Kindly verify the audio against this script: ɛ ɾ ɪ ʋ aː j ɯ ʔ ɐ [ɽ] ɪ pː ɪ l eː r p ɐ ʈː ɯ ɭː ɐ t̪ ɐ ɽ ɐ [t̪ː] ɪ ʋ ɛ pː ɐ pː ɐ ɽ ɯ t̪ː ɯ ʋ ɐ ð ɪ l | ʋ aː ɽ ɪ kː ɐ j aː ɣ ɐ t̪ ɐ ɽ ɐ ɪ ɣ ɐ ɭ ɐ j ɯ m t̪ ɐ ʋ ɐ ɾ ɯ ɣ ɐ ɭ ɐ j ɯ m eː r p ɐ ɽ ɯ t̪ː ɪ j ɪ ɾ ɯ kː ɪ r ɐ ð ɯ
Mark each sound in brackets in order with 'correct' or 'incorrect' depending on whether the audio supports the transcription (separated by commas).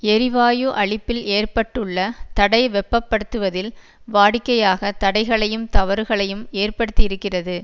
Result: incorrect, incorrect